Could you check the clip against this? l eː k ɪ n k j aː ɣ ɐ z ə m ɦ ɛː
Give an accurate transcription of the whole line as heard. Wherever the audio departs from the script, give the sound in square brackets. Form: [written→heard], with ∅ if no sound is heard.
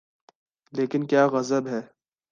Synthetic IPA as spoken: l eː k ɪ n k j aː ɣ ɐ z ə [m→b] ɦ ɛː